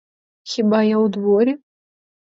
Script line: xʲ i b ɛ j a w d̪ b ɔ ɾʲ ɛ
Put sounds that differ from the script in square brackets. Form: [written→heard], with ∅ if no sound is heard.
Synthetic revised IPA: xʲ i b [ɛ→a] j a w d̪ [b→v] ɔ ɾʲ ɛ